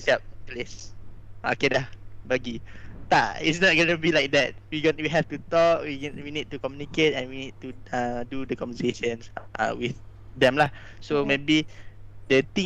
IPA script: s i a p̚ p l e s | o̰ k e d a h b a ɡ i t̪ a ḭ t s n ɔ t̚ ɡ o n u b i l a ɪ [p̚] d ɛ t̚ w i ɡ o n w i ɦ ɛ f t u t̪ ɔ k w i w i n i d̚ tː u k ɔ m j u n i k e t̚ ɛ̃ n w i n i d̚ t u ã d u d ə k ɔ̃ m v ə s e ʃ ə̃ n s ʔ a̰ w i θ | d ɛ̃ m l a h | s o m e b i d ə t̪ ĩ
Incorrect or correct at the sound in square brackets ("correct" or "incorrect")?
incorrect